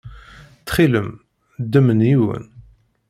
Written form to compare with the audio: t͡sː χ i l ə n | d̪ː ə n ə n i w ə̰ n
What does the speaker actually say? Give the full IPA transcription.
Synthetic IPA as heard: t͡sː χ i l ə m | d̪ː ə m ə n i w ə̰ n